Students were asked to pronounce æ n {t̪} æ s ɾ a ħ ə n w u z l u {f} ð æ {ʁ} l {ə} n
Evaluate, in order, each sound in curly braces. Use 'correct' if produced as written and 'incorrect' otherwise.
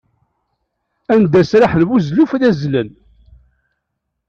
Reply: incorrect, correct, incorrect, correct

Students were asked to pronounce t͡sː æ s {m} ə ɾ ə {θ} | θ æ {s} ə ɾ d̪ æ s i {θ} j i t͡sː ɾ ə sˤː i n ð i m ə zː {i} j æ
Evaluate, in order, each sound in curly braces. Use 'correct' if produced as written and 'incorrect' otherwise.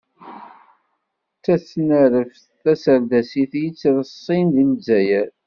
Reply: incorrect, incorrect, correct, correct, incorrect

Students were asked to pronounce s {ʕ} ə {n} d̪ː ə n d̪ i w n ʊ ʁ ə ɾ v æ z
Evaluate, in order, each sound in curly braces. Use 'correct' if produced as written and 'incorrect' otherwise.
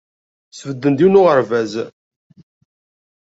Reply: incorrect, incorrect

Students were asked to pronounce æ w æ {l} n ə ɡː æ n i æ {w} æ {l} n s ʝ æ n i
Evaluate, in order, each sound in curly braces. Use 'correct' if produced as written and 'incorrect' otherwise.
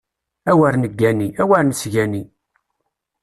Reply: incorrect, correct, incorrect

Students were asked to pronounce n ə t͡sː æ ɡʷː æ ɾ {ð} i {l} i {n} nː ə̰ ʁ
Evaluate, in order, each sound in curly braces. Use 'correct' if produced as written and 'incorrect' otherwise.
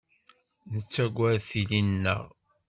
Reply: incorrect, correct, correct

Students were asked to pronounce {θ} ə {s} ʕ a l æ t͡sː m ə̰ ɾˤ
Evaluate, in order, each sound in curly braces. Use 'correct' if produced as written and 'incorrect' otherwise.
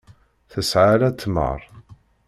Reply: correct, correct

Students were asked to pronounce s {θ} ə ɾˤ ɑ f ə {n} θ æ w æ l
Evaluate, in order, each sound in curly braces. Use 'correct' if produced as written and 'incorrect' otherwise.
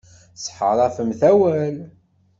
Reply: incorrect, incorrect

